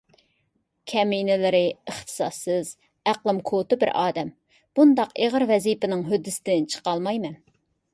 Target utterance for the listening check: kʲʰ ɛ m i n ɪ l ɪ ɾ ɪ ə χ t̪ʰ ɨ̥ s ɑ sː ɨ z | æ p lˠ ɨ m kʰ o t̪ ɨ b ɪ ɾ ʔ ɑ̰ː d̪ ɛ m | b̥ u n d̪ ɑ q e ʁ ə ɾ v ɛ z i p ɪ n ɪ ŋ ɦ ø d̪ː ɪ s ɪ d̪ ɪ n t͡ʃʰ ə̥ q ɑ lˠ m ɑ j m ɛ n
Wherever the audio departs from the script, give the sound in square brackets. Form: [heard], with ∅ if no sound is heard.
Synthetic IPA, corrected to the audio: kʲʰ ɛ m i n ɪ l ɪ ɾ ɪ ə χ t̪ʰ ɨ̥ s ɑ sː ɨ z | æ [q] lˠ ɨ m kʰ o t̪ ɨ b ɪ ɾ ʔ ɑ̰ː d̪ ɛ m | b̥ u n d̪ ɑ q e ʁ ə ɾ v ɛ z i p ɪ n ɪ ŋ ɦ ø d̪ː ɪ s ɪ d̪ ɪ n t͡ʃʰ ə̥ q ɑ lˠ m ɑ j m ɛ n